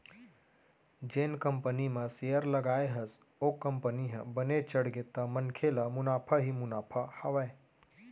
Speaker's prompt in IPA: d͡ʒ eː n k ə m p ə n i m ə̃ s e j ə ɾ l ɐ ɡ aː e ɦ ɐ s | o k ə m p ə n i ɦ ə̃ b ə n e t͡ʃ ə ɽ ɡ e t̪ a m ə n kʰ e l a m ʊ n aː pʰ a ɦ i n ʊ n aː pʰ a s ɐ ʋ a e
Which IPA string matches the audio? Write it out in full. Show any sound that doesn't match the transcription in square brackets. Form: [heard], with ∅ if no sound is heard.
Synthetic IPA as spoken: d͡ʒ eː n k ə m p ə n i m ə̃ s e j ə ɾ l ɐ ɡ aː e ɦ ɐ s | o k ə m p ə n i ɦ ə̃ b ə n e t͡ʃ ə ɽ ɡ e t̪ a m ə n kʰ e l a m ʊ n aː pʰ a ɦ i [m] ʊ n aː pʰ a [h] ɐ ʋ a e